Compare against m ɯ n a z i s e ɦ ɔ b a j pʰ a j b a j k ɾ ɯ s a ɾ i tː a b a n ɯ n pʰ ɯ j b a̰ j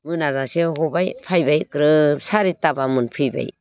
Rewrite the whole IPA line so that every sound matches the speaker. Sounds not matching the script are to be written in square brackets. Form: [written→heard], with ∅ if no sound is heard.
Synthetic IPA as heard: m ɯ n a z [i→a] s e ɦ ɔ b a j pʰ a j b a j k ɾ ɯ s a ɾ i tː a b a [n→m] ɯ n pʰ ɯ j b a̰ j